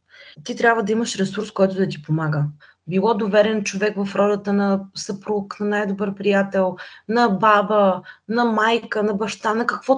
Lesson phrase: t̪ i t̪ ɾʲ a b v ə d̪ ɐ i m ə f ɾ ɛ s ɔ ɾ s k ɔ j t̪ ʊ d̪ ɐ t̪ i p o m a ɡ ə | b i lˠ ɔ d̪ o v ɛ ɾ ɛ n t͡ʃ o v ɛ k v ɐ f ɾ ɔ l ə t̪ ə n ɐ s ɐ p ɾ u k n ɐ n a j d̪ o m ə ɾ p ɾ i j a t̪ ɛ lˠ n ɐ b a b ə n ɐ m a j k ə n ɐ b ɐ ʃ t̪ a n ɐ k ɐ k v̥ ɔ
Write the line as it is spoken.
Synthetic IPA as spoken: t̪ i t̪ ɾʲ a b v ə d̪ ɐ i m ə ʃ ɾ ɛ s u ɾ s k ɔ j t̪ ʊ d̪ ɐ t̪ i p o m a ɡ ə | b i lˠ ɔ d̪ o v ɛ ɾ ɛ n t͡ʃ o v ɛ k v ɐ f ɾ ɔ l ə t̪ ə n ɐ s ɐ p ɾ u k n ɐ n a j d̪ o b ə ɾ p ɾ i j a t̪ ɛ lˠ n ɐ b a b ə n ɐ m a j k ə n ɐ b ɐ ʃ t̪ a n ɐ k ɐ k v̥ ɔ